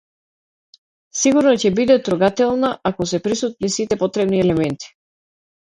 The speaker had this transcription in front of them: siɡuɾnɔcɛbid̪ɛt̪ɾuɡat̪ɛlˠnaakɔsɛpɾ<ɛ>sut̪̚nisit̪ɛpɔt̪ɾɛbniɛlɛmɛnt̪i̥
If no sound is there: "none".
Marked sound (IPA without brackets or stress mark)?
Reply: i